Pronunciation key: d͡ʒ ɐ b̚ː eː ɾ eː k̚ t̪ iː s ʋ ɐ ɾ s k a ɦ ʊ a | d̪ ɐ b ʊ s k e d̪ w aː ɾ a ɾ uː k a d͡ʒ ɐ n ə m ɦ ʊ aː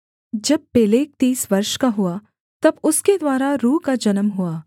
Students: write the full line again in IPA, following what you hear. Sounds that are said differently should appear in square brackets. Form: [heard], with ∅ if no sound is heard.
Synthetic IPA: d͡ʒ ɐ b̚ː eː [l] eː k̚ t̪ iː s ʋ ɐ ɾ [ʃ] k a ɦ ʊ a | [t̪] ɐ b ʊ s k e d̪ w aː ɾ a ɾ uː k a d͡ʒ ɐ n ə m ɦ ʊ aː